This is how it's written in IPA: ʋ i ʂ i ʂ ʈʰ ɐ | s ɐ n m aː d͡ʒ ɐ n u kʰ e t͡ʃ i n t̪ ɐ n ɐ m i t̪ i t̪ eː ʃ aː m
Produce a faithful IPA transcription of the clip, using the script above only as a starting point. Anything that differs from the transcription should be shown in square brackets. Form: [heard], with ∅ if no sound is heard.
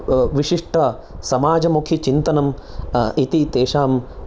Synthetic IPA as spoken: ʋ i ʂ i ʂ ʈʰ ɐ | s ɐ [∅] m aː d͡ʒ ɐ [m] u kʰ [i] t͡ʃ i n t̪ ɐ n ɐ m i t̪ i t̪ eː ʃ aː m